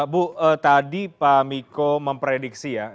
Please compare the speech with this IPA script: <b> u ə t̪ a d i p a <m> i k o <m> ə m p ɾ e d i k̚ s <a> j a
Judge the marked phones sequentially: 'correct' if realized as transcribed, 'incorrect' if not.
correct, correct, correct, incorrect

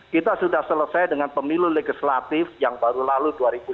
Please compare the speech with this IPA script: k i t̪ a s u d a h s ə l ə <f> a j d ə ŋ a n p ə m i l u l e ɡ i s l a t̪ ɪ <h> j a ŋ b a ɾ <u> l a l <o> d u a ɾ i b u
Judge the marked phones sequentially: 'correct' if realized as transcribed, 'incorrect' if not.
incorrect, incorrect, correct, incorrect

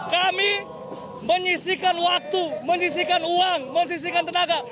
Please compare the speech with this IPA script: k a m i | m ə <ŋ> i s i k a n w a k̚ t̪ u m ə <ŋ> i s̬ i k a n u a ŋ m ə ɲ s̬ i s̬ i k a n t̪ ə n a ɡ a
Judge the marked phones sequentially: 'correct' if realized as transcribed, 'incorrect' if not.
incorrect, incorrect

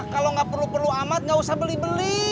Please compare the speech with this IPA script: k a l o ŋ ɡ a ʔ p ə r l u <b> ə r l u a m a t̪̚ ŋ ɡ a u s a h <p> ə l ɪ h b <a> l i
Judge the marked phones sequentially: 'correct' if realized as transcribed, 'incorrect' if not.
incorrect, incorrect, incorrect

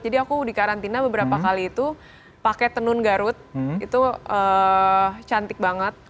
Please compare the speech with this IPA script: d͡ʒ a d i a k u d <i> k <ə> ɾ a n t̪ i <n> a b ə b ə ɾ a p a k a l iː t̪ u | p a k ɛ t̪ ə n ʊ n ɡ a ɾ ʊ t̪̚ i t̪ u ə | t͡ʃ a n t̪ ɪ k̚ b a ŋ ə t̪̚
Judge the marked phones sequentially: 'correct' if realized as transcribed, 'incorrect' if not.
correct, incorrect, correct

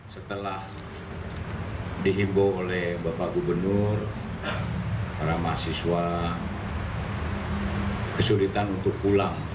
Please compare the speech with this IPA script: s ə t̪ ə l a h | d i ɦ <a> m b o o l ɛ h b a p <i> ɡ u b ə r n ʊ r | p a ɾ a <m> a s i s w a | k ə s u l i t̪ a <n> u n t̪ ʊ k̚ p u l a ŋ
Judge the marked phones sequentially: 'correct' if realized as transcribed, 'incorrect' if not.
incorrect, incorrect, correct, correct

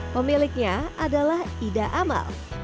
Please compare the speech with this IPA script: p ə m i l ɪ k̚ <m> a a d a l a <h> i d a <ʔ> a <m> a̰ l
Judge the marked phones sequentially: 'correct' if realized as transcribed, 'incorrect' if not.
incorrect, correct, correct, correct

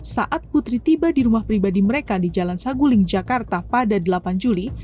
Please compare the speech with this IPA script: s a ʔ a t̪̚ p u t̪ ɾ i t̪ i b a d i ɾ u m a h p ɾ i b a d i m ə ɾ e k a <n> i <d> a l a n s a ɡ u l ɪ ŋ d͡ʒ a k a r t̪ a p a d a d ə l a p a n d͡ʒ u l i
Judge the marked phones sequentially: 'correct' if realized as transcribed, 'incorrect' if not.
incorrect, incorrect

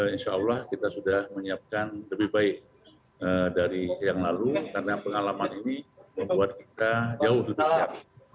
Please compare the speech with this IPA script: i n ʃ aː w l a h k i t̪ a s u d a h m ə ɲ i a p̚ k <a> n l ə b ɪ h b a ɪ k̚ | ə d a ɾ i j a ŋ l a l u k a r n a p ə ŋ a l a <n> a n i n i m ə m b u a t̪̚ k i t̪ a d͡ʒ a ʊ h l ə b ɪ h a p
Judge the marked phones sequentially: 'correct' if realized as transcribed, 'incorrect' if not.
correct, incorrect

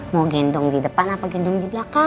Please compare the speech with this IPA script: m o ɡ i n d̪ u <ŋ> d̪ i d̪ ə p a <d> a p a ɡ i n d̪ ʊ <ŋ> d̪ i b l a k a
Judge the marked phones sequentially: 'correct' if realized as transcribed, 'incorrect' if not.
correct, incorrect, correct

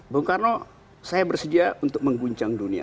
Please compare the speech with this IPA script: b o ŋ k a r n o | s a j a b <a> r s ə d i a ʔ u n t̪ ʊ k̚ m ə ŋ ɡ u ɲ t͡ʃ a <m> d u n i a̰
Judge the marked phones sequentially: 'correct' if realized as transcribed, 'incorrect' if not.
incorrect, incorrect

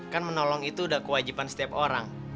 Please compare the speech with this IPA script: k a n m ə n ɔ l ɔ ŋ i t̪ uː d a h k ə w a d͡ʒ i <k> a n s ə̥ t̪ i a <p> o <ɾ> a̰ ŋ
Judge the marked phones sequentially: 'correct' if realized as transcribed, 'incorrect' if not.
incorrect, correct, correct

